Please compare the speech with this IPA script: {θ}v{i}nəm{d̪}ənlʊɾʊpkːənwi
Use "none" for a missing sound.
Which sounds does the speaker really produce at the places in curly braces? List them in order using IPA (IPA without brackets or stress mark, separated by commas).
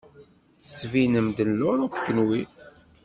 s, i, d̪